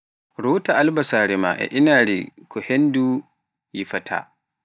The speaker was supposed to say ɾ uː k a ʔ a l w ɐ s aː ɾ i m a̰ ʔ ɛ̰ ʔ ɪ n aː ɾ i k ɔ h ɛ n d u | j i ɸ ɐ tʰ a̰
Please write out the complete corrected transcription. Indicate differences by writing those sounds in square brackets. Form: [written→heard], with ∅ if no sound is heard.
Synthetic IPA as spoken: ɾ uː [k→t] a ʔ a l [w→b] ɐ s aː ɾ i m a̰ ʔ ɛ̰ ʔ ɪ n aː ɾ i k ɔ h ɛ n d u | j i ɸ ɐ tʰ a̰

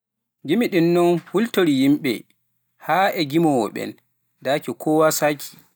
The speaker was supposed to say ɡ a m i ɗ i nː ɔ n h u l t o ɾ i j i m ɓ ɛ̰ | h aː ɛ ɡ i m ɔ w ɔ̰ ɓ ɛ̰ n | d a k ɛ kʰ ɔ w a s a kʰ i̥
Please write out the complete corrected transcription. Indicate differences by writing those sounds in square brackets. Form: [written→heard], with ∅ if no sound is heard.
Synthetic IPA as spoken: ɡ [a→i] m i ɗ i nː ɔ n h u l t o ɾ i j i m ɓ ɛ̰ | h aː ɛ ɡ i m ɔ w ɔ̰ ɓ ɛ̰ n | d a k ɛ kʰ ɔ w a s a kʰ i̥

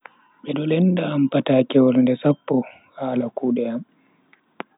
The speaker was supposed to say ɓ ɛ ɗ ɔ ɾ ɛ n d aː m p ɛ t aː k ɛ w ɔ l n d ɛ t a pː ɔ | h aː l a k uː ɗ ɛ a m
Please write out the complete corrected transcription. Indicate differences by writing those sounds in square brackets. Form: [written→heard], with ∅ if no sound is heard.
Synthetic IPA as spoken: ɓ ɛ ɗ ɔ [ɾ→l] ɛ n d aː m p [ɛ→a] t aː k ɛ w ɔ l n d ɛ [t→s] a pː ɔ | h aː l a k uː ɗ ɛ a m

